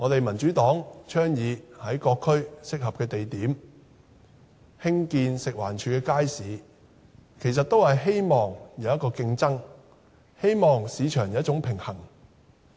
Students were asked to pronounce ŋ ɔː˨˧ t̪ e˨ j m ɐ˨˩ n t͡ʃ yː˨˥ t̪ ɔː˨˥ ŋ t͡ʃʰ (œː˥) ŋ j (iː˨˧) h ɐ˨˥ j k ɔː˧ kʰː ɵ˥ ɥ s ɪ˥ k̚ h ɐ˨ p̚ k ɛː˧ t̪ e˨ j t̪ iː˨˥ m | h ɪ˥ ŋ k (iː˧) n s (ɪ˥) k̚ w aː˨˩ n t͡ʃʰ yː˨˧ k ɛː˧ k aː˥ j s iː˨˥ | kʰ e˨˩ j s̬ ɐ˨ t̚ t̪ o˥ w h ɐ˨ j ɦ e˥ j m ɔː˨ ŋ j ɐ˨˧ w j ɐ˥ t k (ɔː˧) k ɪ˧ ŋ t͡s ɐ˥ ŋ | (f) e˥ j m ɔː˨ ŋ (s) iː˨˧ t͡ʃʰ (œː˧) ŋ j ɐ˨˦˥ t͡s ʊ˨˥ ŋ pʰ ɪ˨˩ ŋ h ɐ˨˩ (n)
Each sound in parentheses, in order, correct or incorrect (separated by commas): correct, correct, correct, incorrect, correct, incorrect, correct, incorrect, incorrect